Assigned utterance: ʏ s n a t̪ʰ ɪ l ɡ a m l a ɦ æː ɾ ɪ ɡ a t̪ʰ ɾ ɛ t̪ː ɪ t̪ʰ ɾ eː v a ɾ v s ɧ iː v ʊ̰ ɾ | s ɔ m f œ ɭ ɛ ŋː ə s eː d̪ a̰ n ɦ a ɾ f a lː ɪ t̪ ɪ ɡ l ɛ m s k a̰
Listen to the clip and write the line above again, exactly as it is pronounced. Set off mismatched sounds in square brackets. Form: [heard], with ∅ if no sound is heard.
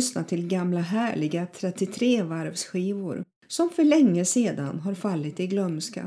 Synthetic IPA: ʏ s n a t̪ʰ ɪ l ɡ a m l a ɦ æː [ɭ] ɪ ɡ a t̪ʰ ɾ ɛ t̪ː ɪ t̪ʰ ɾ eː v a ɾ v s ɧ iː v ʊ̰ ɾ | s ɔ m f œ ɭ ɛ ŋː ə s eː d̪ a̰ n ɦ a ɾ f a lː ɪ t̪ ɪ ɡ l [œ] m s k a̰